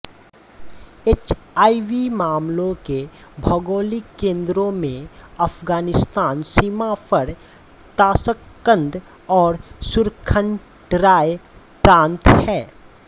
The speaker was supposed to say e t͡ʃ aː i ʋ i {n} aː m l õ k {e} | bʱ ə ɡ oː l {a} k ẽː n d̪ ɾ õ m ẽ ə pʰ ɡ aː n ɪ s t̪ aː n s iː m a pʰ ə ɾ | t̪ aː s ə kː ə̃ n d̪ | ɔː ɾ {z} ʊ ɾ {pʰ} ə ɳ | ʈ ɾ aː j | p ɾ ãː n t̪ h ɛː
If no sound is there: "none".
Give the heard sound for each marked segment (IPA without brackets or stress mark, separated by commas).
m, e, i, s, kʰ